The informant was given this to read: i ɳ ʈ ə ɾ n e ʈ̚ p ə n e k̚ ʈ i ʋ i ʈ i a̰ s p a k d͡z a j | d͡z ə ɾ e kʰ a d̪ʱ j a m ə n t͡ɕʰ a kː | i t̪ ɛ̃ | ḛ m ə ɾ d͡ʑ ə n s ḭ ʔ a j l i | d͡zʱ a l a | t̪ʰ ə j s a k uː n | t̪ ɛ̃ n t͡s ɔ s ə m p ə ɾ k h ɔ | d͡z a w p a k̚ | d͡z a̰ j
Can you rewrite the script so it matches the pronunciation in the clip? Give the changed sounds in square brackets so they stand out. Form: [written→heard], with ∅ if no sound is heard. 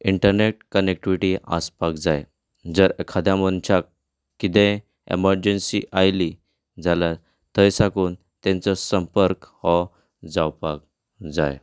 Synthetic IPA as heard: i ɳ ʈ ə ɾ n e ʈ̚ [p→k] ə n e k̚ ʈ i ʋ i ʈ i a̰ s p a k d͡z a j | d͡z ə ɾ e kʰ a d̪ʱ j a m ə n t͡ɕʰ a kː | i t̪ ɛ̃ | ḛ m ə ɾ d͡ʑ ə n s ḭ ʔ a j l i | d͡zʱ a l a | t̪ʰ ə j s a k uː n | t̪ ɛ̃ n t͡s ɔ s ə m p ə ɾ k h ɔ | d͡z a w p a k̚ | d͡z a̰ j